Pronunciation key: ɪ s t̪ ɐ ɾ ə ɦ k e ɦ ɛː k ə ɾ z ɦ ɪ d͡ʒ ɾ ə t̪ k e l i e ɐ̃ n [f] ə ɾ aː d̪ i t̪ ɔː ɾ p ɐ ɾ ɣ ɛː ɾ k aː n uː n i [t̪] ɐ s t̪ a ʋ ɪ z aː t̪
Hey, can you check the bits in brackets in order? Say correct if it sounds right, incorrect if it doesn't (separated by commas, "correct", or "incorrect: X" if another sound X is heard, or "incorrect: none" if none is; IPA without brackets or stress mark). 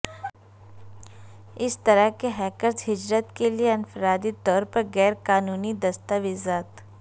correct, incorrect: d̪